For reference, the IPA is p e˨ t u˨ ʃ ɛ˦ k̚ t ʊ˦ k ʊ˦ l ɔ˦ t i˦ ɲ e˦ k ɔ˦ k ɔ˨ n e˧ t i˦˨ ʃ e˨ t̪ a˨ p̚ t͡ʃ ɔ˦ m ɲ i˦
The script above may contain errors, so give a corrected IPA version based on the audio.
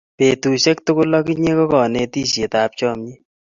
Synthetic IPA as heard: p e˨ t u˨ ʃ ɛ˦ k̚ t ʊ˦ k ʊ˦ l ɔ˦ k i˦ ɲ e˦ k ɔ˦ k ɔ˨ n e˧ t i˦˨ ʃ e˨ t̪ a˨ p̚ t͡ʃ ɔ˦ m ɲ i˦